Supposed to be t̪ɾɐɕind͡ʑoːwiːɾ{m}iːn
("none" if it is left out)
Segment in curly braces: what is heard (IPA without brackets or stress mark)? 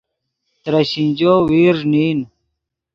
n